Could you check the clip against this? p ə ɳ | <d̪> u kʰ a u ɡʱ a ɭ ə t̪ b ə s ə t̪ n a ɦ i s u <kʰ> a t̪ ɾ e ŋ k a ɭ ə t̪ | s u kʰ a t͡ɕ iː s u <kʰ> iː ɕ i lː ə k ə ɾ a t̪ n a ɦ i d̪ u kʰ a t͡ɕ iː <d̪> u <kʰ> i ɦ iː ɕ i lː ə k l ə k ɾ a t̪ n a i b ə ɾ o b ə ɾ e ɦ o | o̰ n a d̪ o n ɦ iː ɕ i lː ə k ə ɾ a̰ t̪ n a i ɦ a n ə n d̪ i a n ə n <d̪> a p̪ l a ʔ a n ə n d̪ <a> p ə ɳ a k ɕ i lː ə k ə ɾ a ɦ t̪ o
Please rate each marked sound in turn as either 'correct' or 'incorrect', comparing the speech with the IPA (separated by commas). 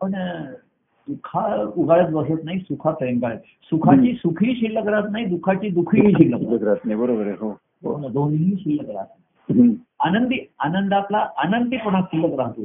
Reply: correct, correct, correct, correct, correct, correct, incorrect